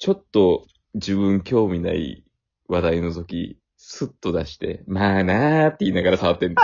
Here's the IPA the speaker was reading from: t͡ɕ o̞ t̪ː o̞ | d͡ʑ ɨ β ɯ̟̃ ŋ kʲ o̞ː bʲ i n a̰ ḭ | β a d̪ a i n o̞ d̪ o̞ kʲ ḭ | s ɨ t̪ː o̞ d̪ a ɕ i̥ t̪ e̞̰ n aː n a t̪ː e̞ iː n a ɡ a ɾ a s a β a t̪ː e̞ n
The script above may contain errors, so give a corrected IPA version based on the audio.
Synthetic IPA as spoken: t͡ɕ o̞ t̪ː o̞ | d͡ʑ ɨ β ɯ̟̃ ŋ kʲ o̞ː mʲ i n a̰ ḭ | β a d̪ a i n o̞ t̪ o̞ kʲ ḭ | s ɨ t̪ː o̞ d̪ a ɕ i̥ t̪ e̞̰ m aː n a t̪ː e̞ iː n a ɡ a ɾ a s a β a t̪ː e̞ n